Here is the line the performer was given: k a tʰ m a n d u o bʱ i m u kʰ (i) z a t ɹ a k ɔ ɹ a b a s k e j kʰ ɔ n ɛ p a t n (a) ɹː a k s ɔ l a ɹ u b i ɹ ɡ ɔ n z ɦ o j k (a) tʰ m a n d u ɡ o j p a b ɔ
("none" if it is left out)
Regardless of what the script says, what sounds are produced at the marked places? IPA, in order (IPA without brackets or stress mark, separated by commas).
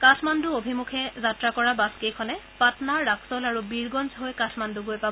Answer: ɛ, a, a